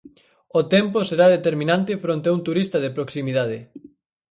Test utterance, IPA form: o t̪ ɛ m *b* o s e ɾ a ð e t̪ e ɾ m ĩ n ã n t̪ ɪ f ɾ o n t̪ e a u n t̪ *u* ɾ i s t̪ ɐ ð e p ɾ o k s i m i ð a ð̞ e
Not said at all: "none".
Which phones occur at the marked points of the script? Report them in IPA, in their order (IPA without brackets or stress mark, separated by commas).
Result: p, u